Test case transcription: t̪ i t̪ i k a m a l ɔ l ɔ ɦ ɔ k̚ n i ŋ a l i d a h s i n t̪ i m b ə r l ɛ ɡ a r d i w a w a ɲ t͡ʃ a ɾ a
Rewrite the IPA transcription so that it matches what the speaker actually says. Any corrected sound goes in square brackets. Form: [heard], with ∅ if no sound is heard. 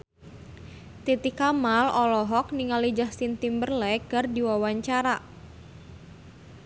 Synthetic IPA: t̪ i t̪ i k a m a l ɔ l ɔ ɦ ɔ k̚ n i ŋ a l i [d͡ʒ] a h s i n t̪ i m b ə r l ɛ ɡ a r d i w a w a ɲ t͡ʃ a ɾ a